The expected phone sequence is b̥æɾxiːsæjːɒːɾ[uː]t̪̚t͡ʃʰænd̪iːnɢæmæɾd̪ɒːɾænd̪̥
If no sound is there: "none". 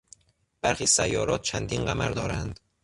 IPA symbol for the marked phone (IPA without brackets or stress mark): ɒː